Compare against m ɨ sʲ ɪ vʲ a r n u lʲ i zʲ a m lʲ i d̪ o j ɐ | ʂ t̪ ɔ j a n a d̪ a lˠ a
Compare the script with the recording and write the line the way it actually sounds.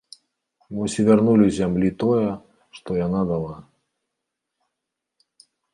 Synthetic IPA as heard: m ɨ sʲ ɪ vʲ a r n u lʲ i zʲ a m lʲ i t̪ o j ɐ | ʂ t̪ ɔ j a n a d̪ a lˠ a